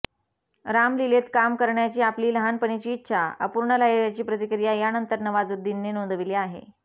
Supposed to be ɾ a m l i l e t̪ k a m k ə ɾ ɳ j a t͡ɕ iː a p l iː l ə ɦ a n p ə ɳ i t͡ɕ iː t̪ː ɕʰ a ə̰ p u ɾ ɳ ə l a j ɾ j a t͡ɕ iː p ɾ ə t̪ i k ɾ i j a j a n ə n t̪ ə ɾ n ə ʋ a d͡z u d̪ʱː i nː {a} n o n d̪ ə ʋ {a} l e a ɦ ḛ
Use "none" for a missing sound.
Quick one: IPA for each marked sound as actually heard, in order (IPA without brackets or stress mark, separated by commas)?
e, i